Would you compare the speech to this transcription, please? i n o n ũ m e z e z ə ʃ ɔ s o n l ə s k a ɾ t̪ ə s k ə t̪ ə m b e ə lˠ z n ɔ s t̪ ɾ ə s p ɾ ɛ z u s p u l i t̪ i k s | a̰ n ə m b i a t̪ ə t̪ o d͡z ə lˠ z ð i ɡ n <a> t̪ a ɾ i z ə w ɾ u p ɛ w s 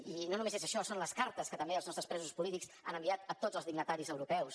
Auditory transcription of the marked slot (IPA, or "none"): ə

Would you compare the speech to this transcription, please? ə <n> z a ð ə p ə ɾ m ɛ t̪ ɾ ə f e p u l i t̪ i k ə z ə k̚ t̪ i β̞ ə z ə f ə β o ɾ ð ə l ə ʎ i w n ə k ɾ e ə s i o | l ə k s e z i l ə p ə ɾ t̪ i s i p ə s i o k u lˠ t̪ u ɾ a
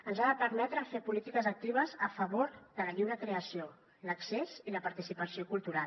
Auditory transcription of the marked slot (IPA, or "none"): n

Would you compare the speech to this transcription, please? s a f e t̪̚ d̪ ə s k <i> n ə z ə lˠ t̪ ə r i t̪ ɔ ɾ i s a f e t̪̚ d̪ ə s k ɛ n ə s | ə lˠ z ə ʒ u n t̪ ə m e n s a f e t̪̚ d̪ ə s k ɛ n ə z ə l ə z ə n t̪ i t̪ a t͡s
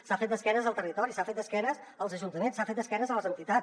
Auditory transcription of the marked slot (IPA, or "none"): ɛ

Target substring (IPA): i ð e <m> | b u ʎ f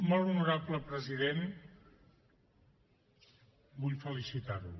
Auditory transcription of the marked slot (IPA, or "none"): n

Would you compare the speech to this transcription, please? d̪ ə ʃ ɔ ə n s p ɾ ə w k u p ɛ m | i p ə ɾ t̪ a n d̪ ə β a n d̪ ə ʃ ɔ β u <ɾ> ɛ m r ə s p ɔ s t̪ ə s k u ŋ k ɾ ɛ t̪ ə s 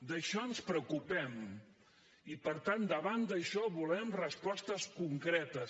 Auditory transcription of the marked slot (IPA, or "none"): l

